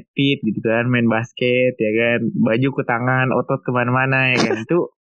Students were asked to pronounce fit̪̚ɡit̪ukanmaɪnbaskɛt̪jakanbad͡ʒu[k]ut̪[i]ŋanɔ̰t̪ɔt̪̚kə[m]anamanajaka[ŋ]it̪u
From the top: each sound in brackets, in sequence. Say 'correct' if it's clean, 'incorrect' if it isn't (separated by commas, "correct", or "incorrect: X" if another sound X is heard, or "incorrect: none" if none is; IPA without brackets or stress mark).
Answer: correct, incorrect: a, correct, incorrect: n